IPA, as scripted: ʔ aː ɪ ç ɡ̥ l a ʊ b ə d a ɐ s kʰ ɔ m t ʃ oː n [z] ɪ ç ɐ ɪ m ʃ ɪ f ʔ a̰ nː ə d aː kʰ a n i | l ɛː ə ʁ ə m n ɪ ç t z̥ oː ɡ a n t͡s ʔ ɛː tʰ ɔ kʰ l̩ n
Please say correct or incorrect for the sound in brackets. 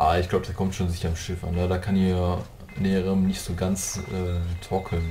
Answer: correct